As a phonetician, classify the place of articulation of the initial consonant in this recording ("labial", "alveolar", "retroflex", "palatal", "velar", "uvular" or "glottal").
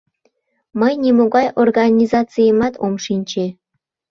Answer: labial